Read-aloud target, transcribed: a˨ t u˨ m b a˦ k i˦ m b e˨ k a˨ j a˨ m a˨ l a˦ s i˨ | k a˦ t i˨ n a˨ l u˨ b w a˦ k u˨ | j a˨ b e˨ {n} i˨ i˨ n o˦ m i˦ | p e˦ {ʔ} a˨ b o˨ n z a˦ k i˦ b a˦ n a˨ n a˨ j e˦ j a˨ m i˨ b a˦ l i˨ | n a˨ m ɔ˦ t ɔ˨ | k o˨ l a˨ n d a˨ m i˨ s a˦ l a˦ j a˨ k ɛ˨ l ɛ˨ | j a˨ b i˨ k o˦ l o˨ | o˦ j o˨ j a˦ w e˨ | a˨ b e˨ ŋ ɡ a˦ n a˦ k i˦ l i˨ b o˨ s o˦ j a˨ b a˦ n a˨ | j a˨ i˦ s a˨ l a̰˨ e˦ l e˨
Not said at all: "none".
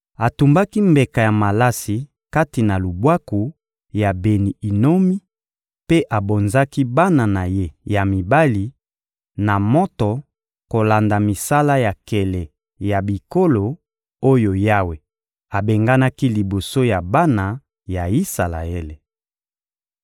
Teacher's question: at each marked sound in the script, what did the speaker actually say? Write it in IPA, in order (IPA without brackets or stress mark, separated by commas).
n, ʔ